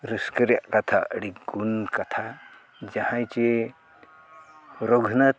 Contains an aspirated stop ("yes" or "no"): yes